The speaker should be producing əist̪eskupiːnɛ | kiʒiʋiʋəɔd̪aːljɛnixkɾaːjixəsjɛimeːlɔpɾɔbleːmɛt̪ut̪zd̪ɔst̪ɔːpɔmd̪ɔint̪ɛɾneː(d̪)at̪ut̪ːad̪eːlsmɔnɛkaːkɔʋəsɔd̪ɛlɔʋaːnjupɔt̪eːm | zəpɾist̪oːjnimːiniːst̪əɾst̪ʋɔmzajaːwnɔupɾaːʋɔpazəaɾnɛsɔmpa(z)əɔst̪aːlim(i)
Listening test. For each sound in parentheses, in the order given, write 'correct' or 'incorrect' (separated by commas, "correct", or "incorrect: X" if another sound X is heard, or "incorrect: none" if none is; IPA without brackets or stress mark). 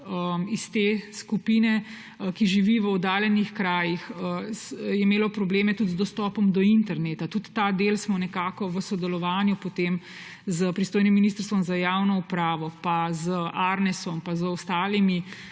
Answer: incorrect: t̪, correct, correct